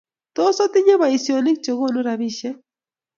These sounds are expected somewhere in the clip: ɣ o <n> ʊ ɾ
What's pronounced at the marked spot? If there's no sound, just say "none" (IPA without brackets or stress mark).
n